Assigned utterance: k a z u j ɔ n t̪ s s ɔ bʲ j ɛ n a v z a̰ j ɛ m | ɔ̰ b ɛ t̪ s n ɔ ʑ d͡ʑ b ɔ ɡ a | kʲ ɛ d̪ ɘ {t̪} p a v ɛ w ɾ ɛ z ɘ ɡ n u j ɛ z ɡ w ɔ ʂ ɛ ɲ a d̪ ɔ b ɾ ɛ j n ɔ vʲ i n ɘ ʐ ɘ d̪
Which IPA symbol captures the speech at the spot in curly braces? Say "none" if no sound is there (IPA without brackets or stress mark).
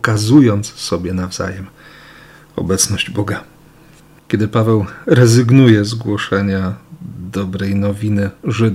none